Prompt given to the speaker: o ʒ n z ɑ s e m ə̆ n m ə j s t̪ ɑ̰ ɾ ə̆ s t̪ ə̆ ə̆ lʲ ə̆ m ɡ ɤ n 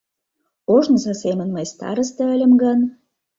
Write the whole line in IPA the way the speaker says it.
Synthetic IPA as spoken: o ʒ n z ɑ s e m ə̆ n m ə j s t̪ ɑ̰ ɾ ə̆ s t̪ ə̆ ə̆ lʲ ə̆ m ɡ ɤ n